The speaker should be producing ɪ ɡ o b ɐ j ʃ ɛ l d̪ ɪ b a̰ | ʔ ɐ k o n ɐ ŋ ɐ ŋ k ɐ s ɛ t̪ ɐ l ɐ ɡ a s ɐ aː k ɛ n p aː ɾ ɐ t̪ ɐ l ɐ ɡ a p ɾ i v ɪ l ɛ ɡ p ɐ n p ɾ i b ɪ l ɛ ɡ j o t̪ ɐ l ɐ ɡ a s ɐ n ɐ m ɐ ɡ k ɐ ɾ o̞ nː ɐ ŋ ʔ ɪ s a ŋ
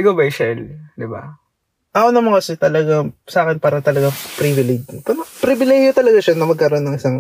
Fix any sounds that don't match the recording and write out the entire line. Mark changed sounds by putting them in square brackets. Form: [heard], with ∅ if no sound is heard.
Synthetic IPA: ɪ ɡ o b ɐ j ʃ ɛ l d̪ ɪ b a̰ | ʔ ɐ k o n ɐ [m] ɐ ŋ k ɐ s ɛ t̪ ɐ l ɐ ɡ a s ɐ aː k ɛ n p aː ɾ ɐ t̪ ɐ l ɐ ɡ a p ɾ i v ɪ l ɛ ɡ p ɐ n p ɾ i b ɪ l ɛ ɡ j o t̪ ɐ l ɐ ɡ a [ʃ] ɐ n ɐ m ɐ ɡ k ɐ ɾ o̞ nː ɐ ŋ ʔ ɪ s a ŋ